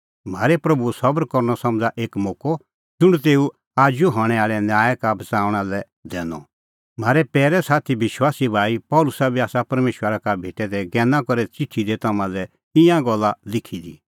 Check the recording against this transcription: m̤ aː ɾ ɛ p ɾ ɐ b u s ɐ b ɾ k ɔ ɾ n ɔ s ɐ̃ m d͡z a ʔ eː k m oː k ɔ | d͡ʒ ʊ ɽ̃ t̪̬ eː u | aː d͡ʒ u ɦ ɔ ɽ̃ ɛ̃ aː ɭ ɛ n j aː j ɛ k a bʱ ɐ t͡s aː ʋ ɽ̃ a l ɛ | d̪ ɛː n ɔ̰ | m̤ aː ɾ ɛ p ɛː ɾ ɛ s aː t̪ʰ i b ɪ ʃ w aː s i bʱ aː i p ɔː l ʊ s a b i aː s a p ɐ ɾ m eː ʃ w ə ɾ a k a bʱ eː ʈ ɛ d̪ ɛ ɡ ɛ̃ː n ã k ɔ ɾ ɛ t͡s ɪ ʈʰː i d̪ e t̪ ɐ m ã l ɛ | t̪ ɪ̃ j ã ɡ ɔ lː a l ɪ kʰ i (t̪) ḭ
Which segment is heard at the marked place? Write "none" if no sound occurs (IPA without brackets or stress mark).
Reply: d̪